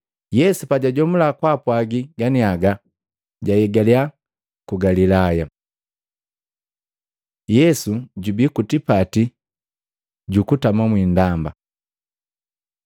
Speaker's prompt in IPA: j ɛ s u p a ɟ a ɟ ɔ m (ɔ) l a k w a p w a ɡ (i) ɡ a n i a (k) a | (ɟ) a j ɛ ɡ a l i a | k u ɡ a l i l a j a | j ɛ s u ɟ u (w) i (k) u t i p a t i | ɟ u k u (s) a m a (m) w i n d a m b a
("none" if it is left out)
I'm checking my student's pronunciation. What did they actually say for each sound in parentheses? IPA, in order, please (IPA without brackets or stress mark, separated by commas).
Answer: u, i, ɡ, ɟ, b, k, t, m